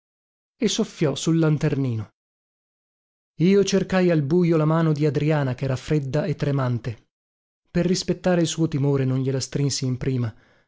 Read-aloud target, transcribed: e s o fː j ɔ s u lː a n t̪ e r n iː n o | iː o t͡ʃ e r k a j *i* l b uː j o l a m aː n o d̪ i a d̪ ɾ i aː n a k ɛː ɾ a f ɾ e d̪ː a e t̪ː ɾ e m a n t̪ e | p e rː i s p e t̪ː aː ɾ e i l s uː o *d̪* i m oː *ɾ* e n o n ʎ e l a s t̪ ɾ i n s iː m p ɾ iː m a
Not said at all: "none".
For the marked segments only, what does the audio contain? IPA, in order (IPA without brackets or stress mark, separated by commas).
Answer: a, t̪, ɾ